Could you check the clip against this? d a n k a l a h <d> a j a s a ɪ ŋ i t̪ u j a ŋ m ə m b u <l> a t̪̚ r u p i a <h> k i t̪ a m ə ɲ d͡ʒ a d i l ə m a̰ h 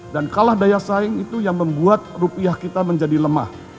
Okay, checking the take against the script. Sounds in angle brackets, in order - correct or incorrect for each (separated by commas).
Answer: correct, incorrect, correct